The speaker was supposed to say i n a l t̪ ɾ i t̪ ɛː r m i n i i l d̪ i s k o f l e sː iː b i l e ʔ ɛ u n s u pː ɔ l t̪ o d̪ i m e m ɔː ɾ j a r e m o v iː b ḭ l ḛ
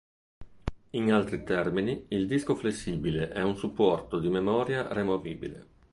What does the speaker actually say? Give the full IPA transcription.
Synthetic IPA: i n a l t̪ ɾ i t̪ ɛ r m i n i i l d̪ i s k o f l e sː iː b i l e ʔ ɛ u n s u pː ɔ r t̪ o d̪ i m e m ɔː ɾ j a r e m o v iː b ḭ l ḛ